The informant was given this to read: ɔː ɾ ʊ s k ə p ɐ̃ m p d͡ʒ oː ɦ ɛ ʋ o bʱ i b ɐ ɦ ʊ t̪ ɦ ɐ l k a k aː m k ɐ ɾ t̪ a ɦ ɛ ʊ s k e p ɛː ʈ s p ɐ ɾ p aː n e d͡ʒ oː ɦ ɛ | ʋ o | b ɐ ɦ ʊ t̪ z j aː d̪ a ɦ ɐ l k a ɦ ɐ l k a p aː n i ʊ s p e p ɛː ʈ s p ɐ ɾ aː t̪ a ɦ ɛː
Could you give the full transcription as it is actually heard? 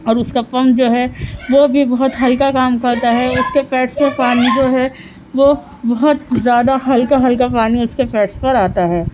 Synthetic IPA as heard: ɔː ɾ ʊ s k a p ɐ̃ m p d͡ʒ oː ɦ ɛ ʋ o bʱ i b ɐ ɦ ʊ t̪ ɦ ɐ l k a k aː m k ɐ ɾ t̪ a ɦ ɛ ʊ s k e p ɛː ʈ s p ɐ ɾ p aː n i d͡ʒ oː ɦ ɛ | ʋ o | b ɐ ɦ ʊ t̪ z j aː d̪ a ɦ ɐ l k a ɦ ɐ l k a p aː n i ʊ s k e p ɛː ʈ s p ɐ ɾ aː t̪ a ɦ ɛː